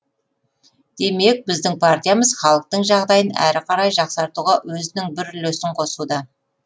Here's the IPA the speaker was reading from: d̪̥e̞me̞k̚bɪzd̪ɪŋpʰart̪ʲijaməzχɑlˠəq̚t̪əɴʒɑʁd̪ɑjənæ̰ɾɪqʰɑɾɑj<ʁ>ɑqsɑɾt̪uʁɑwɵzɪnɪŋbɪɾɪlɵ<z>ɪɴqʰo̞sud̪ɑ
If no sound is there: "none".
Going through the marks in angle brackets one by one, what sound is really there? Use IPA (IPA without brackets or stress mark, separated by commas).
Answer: ʒ, s